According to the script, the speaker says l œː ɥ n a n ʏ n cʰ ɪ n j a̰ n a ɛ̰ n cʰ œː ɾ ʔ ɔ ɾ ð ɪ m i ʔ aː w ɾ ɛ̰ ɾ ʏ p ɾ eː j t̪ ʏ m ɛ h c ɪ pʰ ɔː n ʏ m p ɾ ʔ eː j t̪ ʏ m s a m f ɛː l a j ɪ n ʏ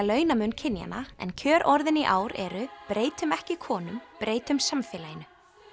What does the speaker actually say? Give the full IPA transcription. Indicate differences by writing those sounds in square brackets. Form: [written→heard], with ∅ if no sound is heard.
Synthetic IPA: l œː ɥ n a [n→m] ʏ n cʰ ɪ n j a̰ n a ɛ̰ n cʰ œː ɾ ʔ ɔ ɾ ð ɪ [m→n] i ʔ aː w ɾ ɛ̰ ɾ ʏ p ɾ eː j t̪ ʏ m ɛ h c ɪ [pʰ→kʰ] ɔː n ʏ m p ɾ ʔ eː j t̪ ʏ m s a m f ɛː l a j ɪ n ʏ